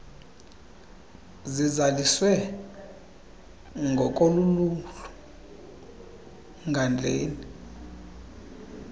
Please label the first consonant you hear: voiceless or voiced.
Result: voiced